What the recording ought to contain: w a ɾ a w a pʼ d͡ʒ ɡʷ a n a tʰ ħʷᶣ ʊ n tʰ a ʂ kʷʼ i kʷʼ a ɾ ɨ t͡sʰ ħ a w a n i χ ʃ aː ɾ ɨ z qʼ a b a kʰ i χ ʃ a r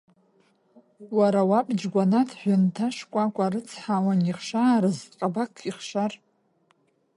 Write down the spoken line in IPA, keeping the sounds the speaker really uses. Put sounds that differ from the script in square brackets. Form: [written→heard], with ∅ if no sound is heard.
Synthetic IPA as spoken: w a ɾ a w a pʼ d͡ʒ ɡʷ a n a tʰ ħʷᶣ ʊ n tʰ a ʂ kʷʼ [i→a] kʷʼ a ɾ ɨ t͡sʰ ħ a w a n i χ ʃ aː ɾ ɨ z qʼ a b a kʰ i χ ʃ a r